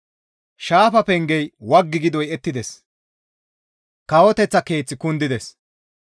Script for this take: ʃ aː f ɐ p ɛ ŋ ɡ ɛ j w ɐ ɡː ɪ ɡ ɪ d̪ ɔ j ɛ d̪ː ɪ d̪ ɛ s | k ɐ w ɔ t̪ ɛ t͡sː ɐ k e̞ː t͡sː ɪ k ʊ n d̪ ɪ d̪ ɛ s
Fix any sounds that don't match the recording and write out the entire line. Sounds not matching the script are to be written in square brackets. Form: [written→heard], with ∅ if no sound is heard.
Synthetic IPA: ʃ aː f ɐ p ɛ ŋ ɡ ɛ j w ɐ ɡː ɪ ɡ ɪ d̪ ɔ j ɛ [d̪ː→t̪ː] ɪ d̪ ɛ s | k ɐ w ɔ t̪ ɛ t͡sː ɐ k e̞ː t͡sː ɪ k ʊ n d̪ ɪ d̪ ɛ s